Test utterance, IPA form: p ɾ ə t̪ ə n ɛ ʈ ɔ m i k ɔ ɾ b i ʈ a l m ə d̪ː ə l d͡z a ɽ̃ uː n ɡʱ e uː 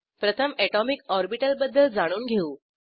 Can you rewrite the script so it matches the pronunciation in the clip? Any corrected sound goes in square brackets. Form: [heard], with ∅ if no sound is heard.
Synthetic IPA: p ɾ ə [t̪ʰ] ə [m] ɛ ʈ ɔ m i k ɔ ɾ b i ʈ [ə] l [b] ə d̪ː ə l d͡z a ɽ̃ uː n ɡʱ e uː